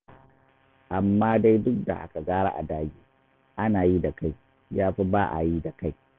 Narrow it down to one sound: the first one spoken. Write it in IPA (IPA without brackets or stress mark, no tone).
ʔ